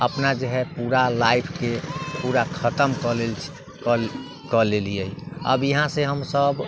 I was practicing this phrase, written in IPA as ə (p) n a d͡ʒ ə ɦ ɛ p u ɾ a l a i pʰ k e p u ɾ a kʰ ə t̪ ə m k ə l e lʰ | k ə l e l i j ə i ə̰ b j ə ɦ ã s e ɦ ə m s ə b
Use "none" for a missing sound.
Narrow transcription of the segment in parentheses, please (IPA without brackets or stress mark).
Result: p